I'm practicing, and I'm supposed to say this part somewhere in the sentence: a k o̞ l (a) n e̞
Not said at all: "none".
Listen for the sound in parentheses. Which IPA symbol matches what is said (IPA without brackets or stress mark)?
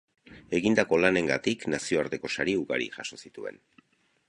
a